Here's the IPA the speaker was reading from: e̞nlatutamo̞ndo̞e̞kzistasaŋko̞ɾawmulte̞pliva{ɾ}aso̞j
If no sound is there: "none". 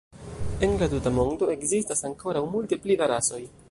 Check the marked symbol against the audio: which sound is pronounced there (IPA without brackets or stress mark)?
ɾ